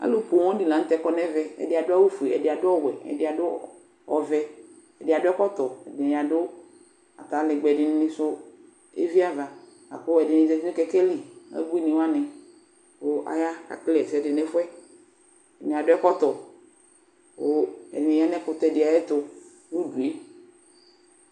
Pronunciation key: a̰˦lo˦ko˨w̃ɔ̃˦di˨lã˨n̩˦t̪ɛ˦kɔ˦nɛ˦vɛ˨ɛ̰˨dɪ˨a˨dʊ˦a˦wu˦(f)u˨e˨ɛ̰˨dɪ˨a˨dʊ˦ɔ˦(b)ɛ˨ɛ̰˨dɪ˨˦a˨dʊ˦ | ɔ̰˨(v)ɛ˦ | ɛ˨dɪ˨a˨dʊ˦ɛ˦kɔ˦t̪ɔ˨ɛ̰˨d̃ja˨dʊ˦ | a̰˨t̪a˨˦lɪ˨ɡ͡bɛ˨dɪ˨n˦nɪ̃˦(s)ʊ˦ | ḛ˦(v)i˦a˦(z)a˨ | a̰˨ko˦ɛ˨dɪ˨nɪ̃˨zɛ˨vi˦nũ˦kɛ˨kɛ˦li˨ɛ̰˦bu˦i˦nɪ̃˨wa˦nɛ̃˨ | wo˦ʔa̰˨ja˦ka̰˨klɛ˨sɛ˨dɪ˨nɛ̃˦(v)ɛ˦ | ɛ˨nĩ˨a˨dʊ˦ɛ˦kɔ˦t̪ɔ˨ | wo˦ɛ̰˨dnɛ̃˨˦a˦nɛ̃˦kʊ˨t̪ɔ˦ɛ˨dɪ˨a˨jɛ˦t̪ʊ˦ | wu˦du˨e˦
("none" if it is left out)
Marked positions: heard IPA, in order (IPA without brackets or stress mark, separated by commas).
f, w, v, s, v, v, f